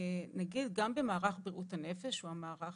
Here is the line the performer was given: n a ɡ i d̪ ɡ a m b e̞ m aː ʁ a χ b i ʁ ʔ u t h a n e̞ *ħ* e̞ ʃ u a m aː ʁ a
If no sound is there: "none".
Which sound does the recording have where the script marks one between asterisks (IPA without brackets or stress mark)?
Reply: f